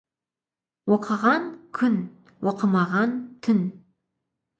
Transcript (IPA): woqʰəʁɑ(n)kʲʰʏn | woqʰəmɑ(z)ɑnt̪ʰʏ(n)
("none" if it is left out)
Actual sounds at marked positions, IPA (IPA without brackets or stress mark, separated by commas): n, ʁ, n